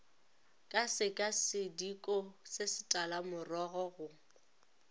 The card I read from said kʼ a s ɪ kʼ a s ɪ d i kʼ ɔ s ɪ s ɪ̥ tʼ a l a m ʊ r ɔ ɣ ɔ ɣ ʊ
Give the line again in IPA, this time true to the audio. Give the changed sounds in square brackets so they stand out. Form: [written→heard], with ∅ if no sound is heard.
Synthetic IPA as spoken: kʼ a s ɪ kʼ a s ɪ d i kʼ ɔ s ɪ s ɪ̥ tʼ a l a m ʊ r ɔ ɣ ɔ ɣ ʊ